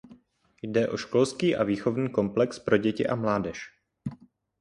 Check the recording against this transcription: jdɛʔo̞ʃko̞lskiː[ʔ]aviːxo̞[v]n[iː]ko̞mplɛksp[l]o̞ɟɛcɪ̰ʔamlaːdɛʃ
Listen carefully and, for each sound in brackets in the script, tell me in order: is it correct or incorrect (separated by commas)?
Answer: correct, correct, correct, incorrect